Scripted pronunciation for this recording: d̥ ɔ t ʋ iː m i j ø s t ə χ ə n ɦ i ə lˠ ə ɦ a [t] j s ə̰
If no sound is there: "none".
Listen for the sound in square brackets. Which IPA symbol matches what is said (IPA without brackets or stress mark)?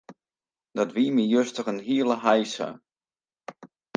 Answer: none